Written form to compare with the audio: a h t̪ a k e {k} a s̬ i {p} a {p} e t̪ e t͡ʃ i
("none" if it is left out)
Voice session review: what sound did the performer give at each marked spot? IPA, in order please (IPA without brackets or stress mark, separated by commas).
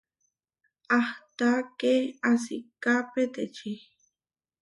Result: none, k, p